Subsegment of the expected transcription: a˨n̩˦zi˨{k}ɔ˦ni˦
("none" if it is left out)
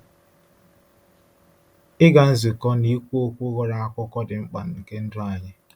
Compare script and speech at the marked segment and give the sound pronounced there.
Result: k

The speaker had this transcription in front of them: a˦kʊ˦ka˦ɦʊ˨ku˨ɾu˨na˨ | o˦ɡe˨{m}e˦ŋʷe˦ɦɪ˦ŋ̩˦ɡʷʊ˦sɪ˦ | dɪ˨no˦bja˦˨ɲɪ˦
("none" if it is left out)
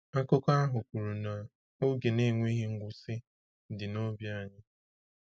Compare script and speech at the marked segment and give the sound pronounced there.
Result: n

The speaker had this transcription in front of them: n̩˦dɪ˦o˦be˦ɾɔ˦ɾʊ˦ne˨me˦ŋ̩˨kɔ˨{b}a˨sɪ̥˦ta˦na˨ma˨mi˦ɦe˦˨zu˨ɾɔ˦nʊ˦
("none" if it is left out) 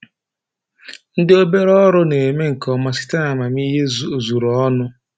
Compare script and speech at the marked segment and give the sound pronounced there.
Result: m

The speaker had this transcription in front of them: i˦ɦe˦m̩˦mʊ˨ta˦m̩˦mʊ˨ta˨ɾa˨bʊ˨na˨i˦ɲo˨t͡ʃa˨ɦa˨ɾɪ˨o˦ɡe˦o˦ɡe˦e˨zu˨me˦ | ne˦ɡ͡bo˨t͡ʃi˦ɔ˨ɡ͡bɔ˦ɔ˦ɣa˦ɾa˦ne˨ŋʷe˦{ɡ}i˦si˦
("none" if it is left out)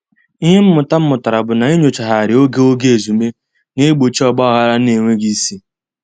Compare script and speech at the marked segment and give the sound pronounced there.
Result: ɡ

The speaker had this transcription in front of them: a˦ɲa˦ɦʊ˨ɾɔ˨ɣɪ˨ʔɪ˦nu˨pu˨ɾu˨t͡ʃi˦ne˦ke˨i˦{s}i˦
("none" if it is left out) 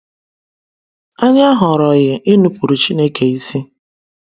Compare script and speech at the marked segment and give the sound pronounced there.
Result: s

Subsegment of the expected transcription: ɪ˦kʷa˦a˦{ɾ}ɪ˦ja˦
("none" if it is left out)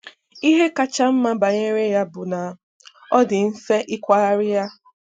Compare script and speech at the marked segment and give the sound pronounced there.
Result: ɾ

